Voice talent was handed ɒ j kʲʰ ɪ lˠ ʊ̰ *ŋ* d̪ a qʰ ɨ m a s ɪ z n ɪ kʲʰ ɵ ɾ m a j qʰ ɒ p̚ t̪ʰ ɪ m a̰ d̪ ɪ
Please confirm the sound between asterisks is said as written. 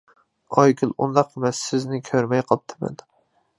no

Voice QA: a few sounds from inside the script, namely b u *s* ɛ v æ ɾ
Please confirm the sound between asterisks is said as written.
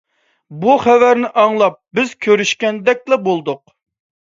no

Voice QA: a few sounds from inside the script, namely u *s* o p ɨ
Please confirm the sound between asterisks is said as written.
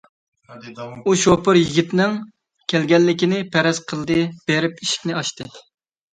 no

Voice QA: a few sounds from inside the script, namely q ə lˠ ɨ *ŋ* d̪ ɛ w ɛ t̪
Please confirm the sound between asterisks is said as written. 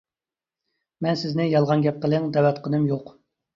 yes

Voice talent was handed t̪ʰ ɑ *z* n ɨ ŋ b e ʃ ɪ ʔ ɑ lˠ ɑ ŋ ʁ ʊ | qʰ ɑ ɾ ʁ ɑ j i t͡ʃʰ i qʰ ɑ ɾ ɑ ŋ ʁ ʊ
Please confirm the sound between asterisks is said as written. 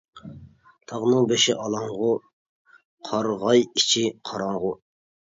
no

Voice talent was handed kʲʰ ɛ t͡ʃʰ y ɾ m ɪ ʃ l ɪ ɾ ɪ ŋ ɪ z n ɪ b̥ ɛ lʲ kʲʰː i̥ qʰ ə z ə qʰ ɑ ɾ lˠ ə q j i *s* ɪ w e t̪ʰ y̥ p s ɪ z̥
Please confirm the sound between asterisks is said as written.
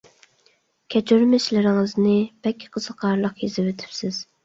no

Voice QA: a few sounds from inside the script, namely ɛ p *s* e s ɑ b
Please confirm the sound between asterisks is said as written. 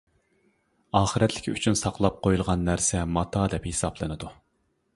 no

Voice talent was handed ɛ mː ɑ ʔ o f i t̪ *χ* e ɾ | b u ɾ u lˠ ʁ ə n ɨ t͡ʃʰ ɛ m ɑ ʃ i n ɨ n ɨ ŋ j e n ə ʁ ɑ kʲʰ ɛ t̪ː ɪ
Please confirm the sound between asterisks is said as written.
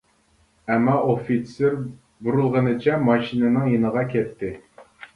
no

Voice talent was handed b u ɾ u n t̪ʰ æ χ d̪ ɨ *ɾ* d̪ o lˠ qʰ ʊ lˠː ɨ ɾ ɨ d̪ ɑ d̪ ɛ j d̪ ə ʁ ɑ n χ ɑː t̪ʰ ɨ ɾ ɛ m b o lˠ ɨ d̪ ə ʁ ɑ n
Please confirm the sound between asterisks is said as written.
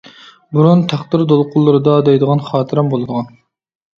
yes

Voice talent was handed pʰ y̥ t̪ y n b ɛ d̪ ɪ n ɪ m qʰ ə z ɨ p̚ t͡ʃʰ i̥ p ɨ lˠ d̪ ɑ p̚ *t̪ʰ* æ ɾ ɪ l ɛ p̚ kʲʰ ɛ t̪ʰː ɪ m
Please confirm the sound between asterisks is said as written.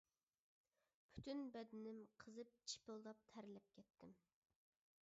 yes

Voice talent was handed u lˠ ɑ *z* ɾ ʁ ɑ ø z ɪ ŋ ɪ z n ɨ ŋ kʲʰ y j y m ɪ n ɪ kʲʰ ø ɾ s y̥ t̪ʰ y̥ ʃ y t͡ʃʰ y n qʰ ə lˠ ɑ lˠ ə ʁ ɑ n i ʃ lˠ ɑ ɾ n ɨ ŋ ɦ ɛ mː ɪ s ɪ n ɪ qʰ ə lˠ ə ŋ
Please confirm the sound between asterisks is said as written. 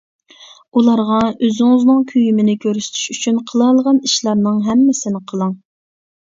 no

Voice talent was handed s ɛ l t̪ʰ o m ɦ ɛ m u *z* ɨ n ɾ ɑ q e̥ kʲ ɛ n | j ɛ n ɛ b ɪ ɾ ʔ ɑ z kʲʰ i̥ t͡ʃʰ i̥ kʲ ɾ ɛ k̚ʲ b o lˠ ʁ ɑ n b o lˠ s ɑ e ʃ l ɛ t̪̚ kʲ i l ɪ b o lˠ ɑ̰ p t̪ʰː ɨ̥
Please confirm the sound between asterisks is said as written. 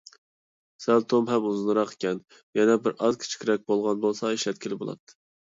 yes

